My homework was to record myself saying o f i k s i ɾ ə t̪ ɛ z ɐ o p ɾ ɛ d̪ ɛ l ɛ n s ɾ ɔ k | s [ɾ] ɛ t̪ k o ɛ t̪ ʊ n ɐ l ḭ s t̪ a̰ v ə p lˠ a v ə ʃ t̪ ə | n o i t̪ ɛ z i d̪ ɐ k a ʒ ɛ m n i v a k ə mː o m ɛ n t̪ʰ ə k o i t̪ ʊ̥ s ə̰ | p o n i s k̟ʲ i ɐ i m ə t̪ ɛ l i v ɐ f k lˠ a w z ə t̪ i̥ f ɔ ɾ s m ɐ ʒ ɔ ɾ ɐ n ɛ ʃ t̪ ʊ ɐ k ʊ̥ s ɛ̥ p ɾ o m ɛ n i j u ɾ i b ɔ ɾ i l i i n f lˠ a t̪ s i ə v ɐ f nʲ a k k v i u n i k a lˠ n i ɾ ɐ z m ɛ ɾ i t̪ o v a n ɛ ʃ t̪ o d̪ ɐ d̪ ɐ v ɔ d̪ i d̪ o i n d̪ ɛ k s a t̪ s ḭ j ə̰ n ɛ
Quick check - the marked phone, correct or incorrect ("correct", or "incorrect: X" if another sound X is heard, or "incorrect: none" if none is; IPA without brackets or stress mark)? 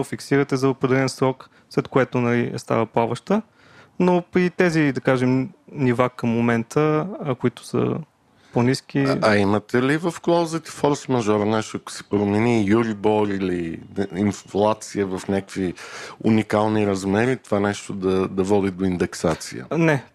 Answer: incorrect: l